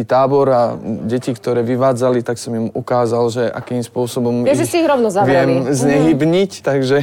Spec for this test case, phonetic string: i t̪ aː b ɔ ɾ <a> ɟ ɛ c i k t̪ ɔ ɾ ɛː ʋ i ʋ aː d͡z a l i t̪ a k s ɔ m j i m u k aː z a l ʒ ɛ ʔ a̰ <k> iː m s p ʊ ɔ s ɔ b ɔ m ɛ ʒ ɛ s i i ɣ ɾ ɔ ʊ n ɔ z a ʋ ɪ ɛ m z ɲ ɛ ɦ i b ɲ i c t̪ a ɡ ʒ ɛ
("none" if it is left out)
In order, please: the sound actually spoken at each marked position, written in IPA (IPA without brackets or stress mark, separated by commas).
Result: a, k